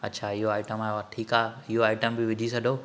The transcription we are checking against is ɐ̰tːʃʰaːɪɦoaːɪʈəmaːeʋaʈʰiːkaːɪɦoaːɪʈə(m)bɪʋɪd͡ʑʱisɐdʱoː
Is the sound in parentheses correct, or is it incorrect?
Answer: correct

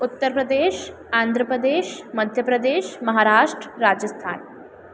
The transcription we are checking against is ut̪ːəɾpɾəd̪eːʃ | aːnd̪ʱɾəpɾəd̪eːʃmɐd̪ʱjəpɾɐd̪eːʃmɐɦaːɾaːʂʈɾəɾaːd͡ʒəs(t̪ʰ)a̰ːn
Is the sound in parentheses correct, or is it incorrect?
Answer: correct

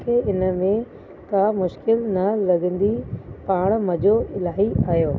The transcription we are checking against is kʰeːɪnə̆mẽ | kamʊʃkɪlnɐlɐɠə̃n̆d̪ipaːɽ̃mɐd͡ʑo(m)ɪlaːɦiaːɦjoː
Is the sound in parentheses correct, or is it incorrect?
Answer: incorrect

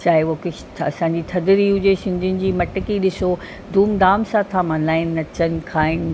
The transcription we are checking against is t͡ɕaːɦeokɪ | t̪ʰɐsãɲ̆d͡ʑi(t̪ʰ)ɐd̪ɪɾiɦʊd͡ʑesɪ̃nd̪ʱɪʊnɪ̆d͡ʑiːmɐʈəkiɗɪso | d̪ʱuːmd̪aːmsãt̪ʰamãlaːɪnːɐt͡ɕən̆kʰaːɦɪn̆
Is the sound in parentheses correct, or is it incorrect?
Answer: correct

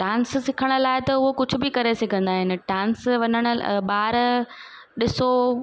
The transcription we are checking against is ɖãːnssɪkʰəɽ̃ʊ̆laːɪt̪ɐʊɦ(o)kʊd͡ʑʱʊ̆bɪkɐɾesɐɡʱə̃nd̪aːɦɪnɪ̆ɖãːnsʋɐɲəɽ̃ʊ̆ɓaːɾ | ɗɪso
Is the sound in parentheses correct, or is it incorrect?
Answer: correct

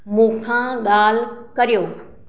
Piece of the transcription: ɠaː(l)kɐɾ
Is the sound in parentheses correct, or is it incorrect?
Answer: correct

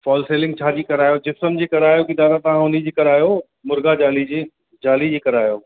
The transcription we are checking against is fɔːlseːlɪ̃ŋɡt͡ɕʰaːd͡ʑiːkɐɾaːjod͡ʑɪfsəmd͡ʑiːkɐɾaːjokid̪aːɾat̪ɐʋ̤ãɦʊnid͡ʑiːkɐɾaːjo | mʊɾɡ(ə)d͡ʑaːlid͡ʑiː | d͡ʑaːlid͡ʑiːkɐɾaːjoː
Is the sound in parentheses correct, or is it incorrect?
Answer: incorrect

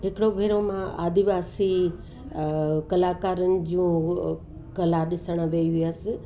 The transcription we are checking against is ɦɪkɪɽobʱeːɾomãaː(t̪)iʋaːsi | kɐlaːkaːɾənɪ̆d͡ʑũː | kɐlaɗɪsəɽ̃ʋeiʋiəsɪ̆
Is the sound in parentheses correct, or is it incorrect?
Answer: incorrect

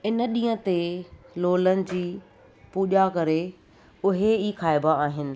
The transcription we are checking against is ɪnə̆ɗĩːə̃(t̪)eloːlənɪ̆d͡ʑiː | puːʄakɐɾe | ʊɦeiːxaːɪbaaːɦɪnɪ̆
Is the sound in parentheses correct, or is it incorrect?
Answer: correct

